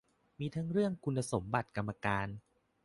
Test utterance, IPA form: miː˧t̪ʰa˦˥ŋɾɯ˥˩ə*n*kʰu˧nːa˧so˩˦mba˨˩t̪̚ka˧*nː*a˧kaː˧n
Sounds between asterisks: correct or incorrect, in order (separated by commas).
incorrect, incorrect